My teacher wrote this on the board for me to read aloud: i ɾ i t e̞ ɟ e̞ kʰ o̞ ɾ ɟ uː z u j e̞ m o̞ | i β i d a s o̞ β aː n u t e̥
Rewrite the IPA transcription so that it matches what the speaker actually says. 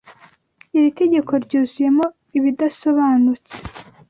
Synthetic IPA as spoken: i ɾ i t e̞ ɟ e̞ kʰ o̞ ɾ ɟ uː z u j e̞ m o̞ | i β i d a s o̞ β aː n u t͡s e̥

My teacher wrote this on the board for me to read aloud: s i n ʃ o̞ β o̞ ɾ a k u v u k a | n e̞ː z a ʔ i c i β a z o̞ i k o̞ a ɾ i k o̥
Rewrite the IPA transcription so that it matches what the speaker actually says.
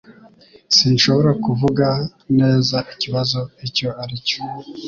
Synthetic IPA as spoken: s i n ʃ o̞ β o̞ ɾ a k u v u ɡ a | n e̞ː z a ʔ i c i β a z o̞ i c o̞ a ɾ i c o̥

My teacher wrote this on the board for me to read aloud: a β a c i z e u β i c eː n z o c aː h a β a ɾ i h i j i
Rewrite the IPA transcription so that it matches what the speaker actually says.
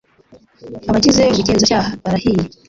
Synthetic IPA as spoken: a β a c i z e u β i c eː n z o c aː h a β a ɾ a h i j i

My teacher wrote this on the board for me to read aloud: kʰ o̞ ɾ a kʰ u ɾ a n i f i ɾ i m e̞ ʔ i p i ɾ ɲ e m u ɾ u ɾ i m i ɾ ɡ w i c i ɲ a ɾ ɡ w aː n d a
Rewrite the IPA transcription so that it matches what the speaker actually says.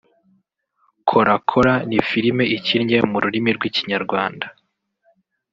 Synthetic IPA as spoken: kʰ o̞ ɾ a kʰ o ɾ a n i f i ɾ i m e̞ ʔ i c i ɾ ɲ e m u ɾ u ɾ i m i ɾ ɡ w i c i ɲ a ɾ ɡ w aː n d a

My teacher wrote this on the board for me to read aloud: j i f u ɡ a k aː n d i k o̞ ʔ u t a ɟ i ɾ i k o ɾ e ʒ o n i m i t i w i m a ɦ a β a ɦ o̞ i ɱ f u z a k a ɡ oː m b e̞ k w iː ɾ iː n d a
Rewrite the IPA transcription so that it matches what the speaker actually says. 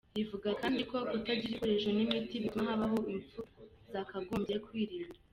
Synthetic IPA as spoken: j i v u ɡ a k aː n d i k o̞ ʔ u t a ɟ i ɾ i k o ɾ e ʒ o n i m i t i β i m a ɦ a β a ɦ o̞ i ɱ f u z a k a ɡ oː m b e̞ k w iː ɾ iː n d a

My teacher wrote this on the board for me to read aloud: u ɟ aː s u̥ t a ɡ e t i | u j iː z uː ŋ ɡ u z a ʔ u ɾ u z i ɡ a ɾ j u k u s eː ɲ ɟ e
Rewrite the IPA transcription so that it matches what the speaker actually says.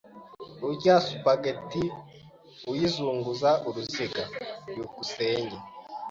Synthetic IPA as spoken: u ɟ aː s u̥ p a ɡ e t i | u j i z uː ŋ ɡ u z a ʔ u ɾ u z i ɡ a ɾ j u k u s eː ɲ ɟ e

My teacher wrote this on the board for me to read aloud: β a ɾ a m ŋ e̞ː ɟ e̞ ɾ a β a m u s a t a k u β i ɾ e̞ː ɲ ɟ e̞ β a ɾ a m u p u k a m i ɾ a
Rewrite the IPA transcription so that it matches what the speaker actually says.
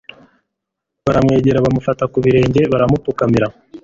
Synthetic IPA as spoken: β a ɾ a m ŋ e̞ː ɟ e̞ ɾ a β a m u f a t a k u β i ɾ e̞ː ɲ ɟ e̞ β a ɾ a m u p u k a m i ɾ a

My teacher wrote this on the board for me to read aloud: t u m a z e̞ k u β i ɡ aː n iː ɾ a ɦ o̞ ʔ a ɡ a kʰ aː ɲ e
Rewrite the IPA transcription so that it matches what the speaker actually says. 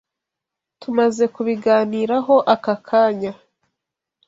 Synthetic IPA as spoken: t u m a z e̞ k u β i ɡ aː n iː ɾ a ɦ o̞ ʔ a k a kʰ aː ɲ a

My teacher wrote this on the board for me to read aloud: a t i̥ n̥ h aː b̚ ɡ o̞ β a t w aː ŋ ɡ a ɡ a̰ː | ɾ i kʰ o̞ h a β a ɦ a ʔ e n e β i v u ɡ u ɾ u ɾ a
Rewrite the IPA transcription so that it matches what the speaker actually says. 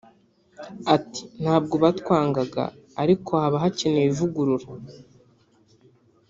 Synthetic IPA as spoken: a t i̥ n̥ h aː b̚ ɡ o̞ β a t w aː ŋ ɡ a ɡ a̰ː | ɾ i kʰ o̞ h a β a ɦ a c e n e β i v u ɡ u ɾ u ɾ a

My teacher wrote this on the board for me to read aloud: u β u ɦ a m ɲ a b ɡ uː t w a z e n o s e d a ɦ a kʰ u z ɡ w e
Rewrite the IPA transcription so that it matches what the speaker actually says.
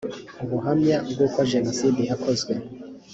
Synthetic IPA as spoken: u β u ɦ a m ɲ a b ɡ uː k w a ʒ e n o s i d i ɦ a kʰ o z ɡ w e

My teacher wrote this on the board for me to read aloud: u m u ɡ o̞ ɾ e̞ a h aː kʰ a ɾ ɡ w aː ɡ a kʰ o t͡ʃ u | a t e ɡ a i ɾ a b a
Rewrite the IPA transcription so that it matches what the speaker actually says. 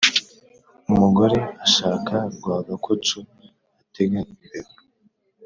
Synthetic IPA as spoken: u m u ɡ o̞ ɾ e̞ a ʃ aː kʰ a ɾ ɡ w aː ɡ a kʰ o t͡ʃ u | a t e ɡ a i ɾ e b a

